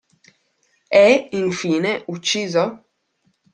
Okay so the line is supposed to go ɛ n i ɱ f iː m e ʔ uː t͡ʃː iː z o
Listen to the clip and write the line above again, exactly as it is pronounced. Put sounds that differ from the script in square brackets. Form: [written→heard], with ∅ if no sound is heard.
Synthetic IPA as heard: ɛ [n→∅] i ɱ f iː [m→n] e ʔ [uː→u] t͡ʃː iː z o